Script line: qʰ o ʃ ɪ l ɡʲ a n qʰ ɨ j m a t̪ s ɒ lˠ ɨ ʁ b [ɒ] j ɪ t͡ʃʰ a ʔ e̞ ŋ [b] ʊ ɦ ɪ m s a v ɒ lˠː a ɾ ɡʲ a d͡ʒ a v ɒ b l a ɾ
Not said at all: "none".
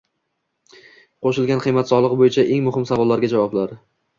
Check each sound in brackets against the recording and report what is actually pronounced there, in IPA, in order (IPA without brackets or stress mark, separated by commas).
o, m